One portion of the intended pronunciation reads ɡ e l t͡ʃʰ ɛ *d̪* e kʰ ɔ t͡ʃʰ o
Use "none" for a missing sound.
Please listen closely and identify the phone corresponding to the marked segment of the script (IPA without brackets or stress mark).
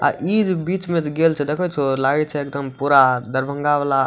d̪